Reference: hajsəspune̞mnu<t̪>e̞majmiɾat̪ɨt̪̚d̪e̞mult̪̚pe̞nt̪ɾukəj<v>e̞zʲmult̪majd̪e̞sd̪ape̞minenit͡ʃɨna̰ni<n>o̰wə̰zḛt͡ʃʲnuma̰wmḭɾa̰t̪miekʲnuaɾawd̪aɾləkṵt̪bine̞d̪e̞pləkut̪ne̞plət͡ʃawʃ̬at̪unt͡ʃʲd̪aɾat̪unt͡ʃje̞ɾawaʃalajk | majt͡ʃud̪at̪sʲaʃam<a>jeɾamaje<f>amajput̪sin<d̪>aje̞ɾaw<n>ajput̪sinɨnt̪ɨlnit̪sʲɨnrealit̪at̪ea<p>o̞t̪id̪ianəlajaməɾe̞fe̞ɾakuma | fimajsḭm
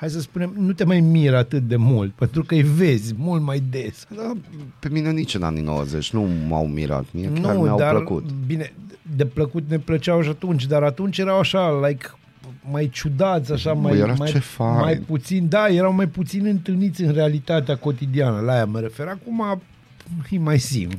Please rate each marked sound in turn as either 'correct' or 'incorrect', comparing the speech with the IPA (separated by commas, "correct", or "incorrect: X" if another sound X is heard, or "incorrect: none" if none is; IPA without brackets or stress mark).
correct, correct, correct, correct, correct, correct, incorrect: m, incorrect: k